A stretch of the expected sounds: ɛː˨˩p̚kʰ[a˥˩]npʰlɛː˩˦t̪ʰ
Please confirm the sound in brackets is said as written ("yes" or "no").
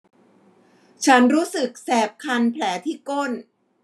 no